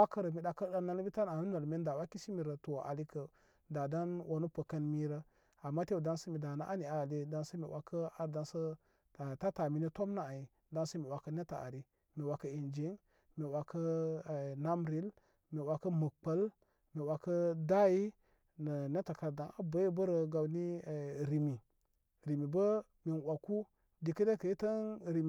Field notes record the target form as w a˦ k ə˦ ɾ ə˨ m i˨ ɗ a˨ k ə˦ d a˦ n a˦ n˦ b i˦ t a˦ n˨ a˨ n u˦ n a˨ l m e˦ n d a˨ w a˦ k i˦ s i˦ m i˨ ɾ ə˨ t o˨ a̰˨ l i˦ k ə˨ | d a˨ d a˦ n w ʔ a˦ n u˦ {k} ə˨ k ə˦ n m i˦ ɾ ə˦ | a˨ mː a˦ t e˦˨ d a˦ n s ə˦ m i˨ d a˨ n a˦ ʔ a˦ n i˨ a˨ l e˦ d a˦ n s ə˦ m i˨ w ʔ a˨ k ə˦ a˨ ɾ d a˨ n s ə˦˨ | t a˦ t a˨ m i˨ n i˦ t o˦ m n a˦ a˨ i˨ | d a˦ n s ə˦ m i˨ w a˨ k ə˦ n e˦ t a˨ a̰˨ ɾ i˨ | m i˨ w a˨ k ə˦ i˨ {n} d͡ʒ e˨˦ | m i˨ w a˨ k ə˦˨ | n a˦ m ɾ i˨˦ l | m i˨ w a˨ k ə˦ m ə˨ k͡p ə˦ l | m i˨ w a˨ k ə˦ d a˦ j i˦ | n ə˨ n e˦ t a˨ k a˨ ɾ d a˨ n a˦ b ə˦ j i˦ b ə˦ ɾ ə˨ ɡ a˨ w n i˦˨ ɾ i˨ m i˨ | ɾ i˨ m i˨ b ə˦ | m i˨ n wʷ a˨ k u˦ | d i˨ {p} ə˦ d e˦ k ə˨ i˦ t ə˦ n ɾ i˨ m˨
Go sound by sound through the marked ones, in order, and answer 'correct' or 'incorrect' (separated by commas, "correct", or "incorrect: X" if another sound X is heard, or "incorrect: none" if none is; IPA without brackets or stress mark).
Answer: incorrect: p, correct, incorrect: k